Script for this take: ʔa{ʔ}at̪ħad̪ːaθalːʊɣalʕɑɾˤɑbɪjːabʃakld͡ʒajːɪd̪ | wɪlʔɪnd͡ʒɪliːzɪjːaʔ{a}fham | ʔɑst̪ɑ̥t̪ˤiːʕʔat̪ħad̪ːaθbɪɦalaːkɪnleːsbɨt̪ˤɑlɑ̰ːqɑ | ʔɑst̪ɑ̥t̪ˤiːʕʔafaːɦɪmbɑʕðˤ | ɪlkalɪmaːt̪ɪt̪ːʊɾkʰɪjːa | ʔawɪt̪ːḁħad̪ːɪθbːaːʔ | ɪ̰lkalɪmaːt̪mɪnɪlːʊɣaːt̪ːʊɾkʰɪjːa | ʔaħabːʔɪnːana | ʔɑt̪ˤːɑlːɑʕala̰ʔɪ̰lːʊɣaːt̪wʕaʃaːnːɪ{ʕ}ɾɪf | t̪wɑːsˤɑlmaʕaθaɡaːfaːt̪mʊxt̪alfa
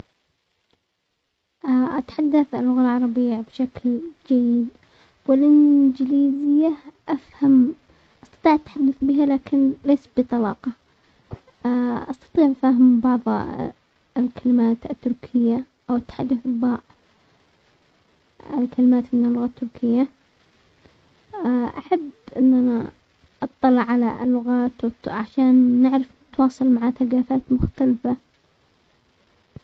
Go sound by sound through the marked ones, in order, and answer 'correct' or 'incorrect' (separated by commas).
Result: correct, correct, correct